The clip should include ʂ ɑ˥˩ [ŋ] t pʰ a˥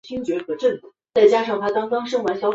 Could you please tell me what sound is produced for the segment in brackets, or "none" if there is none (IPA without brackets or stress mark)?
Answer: ŋ